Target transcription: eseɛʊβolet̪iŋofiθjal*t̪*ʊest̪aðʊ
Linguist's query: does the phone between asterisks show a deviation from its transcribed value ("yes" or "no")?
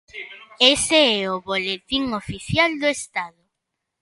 yes